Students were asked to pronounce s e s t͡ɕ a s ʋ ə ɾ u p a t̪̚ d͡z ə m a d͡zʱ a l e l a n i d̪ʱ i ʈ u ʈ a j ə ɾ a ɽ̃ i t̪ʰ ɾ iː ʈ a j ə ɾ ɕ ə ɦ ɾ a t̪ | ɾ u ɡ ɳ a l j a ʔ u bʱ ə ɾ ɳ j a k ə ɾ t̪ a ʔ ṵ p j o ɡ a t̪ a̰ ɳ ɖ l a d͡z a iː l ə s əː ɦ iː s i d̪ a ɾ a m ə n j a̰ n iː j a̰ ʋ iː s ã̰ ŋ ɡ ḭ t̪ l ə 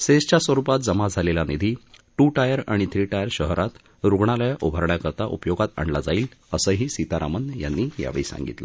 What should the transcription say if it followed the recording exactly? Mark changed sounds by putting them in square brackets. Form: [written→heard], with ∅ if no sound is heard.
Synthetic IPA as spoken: s e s t͡ɕ a s ʋ ə ɾ u p a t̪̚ d͡z ə m a d͡zʱ a l e l a n i d̪ʱ i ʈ u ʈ a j ə ɾ a ɽ̃ i t̪ʰ ɾ iː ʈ a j ə ɾ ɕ ə ɦ ɾ a t̪ | ɾ u ɡ ɳ a l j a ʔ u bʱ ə ɾ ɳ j a k ə ɾ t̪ a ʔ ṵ p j o ɡ a t̪ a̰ ɳ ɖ l a d͡z a iː l ə s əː ɦ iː s i [d̪→t̪] a ɾ a m ə n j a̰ [n→nː] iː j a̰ ʋ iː s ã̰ ŋ ɡ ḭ t̪ l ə